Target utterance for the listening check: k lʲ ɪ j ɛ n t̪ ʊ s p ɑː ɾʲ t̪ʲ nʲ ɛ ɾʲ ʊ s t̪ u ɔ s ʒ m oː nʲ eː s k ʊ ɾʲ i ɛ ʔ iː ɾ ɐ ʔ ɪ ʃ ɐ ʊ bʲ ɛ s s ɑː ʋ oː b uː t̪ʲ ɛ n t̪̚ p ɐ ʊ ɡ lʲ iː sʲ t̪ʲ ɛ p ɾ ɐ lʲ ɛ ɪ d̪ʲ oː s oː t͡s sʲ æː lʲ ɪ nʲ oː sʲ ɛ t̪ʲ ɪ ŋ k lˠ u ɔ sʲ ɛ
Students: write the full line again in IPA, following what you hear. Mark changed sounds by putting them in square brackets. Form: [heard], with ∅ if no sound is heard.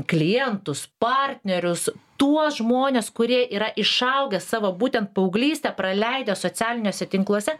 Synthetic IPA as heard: k lʲ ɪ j ɛ n t̪ ʊ s p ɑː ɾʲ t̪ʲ nʲ ɛ ɾʲ ʊ s t̪ u ɔ s ʒ m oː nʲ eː s k ʊ ɾʲ i ɛ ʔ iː ɾ ɐ ʔ ɪ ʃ ɐ ʊ [ɡʲ] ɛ s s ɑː ʋ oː b uː t̪ʲ ɛ n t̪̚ p ɐ ʊ ɡ lʲ iː sʲ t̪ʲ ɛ p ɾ ɐ lʲ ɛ ɪ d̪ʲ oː s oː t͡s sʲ æː lʲ ɪ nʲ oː sʲ ɛ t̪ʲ ɪ ŋ k lˠ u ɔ sʲ ɛ